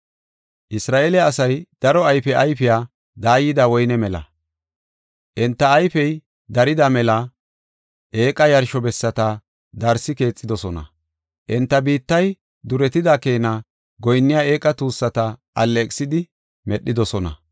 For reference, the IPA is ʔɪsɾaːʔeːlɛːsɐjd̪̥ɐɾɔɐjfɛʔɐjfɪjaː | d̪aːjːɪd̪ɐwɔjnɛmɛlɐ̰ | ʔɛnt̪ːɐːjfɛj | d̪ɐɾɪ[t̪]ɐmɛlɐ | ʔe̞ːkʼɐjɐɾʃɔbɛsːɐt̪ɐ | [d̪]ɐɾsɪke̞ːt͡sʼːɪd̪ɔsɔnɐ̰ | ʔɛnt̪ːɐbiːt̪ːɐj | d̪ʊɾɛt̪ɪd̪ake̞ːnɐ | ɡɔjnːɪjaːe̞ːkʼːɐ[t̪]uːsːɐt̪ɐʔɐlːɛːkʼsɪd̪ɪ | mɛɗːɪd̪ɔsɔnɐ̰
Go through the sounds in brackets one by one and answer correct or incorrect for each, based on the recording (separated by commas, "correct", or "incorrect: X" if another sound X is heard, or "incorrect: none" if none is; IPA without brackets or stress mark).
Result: incorrect: d̪, correct, correct